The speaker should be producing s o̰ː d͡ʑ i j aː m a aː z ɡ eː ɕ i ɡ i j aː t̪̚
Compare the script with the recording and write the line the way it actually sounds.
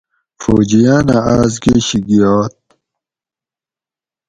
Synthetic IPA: f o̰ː d͡ʑ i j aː n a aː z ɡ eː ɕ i ɡ i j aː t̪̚